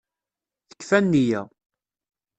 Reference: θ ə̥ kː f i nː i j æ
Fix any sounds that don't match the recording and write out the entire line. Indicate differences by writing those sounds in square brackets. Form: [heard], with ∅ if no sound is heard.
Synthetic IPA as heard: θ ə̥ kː f [æ] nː i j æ

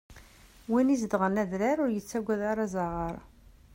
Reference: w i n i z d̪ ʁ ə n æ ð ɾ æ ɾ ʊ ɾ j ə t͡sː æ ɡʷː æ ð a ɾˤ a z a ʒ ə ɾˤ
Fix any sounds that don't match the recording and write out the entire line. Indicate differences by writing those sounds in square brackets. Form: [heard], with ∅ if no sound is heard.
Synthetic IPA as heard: w i n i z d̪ ʁ ə n æ ð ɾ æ ɾ ʊ ɾ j ə t͡sː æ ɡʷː æ ð a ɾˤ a z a [ʁ] ə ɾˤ

